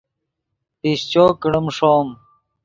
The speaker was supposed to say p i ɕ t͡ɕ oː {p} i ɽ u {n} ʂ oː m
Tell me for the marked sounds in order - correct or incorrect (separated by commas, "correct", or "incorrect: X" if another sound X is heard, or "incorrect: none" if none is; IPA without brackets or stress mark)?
incorrect: k, incorrect: m